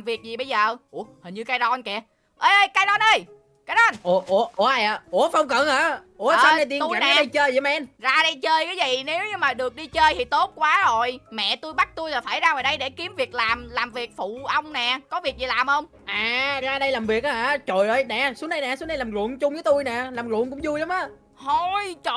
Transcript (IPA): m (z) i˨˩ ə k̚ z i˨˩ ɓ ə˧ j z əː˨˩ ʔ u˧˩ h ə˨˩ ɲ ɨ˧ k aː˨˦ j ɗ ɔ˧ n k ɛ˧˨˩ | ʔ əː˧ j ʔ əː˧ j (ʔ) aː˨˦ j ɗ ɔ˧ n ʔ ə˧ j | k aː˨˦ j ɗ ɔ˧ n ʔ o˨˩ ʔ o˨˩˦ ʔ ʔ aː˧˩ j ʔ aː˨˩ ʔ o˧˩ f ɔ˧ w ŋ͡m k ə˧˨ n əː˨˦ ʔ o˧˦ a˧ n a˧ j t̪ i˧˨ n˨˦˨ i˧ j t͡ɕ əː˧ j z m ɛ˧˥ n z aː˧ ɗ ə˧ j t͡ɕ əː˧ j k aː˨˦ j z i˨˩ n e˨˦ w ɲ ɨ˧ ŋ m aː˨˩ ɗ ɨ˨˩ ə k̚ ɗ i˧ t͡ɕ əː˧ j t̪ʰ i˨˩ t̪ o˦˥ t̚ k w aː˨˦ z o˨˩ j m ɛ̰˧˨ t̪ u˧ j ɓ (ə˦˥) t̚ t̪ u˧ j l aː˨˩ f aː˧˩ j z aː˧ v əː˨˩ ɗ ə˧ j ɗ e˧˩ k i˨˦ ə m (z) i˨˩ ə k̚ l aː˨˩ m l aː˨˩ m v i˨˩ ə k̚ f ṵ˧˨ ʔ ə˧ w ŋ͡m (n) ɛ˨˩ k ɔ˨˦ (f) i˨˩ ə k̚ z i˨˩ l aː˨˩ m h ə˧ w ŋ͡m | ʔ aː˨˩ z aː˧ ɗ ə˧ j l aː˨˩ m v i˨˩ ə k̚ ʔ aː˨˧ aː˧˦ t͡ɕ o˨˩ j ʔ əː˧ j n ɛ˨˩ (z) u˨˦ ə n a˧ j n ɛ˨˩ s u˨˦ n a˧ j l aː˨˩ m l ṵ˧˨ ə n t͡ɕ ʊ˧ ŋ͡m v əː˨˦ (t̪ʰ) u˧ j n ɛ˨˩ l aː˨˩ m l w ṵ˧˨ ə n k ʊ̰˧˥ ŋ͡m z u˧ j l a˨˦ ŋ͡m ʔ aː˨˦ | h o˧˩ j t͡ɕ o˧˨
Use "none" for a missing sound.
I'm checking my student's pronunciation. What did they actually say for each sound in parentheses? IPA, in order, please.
v, k, a˦˥, v, n, v, s, t̪

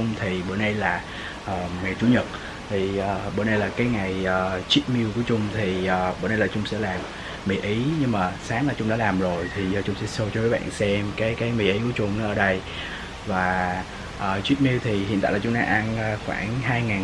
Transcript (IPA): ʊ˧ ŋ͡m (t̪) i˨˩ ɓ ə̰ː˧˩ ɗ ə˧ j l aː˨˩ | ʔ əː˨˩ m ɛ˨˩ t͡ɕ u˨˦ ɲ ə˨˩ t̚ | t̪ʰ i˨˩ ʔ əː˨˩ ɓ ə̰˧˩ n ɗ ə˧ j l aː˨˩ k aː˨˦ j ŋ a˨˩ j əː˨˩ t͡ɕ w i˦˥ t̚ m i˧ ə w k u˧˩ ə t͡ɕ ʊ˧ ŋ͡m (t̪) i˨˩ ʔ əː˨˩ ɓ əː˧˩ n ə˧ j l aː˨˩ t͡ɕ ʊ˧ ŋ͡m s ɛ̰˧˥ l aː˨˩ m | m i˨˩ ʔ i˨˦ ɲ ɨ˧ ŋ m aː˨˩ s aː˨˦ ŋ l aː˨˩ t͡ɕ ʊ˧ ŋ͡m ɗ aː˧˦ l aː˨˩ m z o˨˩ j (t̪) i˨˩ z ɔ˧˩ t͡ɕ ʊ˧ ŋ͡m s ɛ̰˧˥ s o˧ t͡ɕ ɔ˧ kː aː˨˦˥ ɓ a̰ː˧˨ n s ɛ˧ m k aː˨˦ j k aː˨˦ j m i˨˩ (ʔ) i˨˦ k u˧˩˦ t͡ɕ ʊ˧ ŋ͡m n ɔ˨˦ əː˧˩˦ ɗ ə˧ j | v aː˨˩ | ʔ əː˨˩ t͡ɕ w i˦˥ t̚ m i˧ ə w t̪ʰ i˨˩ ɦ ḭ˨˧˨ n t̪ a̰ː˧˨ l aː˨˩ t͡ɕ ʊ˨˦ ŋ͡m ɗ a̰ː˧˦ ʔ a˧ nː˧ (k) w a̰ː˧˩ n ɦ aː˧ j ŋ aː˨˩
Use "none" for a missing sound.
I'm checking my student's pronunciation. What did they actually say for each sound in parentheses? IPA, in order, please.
t̪ʰ, t̪ʰ, t̪ʰ, ʔ, x

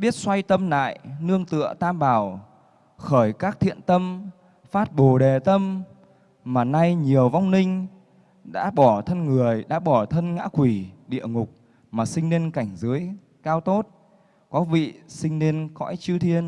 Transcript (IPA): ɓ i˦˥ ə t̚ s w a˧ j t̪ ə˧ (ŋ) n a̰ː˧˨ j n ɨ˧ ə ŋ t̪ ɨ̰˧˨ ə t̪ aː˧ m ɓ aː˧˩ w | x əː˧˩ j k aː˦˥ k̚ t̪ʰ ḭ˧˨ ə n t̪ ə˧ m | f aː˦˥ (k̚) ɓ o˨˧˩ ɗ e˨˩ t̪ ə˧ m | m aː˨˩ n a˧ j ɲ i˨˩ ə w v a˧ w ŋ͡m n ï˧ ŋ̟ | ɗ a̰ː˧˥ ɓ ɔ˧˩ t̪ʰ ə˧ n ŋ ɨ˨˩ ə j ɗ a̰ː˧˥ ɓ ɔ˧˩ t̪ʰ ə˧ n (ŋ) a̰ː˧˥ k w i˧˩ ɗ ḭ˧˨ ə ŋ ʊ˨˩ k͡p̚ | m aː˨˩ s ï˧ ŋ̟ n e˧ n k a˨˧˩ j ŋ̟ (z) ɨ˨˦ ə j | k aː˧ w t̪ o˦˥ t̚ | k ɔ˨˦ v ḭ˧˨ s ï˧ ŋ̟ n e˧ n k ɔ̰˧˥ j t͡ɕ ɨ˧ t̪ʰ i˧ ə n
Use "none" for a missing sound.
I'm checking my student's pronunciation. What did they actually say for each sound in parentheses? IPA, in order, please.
m, t̚, ŋ, z

